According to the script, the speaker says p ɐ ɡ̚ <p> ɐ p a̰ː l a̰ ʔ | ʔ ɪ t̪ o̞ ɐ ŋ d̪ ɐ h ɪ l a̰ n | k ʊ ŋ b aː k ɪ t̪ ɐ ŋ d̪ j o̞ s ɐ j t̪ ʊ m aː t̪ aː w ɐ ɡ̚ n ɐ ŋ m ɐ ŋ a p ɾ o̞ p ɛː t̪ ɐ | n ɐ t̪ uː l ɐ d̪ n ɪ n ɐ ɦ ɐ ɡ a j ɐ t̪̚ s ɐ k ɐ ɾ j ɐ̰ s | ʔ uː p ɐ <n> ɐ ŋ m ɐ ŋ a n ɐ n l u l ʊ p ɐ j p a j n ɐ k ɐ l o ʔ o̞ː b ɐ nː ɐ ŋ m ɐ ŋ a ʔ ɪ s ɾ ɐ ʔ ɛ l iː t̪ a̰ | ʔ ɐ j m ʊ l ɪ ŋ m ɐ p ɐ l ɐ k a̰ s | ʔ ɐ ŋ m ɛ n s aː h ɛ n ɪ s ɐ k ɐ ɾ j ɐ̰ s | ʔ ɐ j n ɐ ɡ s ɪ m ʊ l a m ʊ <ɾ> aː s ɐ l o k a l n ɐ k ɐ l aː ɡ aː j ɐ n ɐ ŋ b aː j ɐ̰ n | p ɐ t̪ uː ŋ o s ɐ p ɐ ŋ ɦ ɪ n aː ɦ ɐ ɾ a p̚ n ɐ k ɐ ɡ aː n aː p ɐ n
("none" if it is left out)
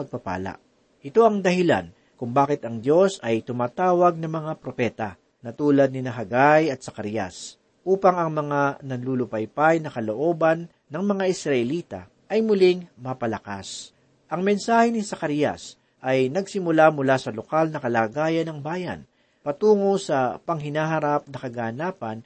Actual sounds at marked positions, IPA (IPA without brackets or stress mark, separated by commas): p, ŋ, l